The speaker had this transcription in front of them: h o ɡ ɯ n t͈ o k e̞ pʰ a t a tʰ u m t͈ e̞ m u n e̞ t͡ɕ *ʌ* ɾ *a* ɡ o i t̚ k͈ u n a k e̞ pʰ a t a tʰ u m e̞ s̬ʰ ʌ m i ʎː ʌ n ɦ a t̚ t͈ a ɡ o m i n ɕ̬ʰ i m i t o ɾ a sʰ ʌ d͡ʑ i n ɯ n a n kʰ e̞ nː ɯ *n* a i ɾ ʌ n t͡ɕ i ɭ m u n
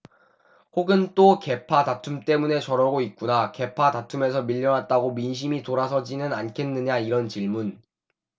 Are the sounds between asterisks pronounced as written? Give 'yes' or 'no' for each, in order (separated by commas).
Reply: yes, no, no